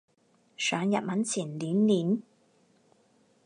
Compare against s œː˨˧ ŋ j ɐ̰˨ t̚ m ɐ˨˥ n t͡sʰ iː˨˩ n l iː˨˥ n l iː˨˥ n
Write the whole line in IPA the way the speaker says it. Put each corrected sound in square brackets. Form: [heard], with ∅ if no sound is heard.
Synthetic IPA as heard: s œː˨˧ ŋ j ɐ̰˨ t̚ m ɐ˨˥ n t͡sʰ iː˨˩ n l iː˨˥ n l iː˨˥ n